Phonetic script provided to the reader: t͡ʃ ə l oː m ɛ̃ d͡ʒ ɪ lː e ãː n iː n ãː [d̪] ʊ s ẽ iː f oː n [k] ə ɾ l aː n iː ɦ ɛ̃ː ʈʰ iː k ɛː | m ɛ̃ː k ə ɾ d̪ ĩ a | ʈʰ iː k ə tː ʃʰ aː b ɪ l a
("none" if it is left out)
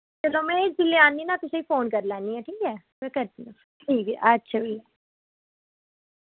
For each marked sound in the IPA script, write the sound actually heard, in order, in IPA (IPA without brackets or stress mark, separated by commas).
t̪, k